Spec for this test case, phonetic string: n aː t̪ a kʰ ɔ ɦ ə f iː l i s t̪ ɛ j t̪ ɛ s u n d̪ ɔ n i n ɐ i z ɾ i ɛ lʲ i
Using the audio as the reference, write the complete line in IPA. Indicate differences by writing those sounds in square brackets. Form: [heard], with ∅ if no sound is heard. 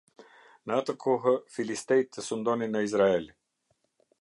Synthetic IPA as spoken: n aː t̪ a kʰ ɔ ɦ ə f [i] l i s t̪ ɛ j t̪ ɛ s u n d̪ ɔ n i n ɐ i z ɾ [a] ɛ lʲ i